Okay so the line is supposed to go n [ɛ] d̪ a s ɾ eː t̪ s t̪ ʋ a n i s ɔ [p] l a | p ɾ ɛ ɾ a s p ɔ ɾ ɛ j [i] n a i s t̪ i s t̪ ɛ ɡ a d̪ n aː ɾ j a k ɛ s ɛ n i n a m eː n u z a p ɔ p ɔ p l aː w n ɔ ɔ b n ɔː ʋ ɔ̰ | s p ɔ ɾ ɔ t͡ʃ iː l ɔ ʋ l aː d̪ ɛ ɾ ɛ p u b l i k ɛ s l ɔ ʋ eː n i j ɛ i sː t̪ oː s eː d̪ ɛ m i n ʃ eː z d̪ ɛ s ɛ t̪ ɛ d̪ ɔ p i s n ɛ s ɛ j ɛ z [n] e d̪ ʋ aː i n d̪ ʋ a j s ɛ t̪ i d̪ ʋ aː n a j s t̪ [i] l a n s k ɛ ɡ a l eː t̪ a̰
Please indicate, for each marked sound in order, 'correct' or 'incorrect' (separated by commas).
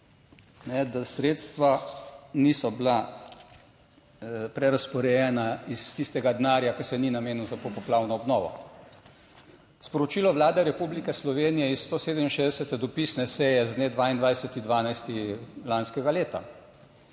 correct, incorrect, incorrect, correct, correct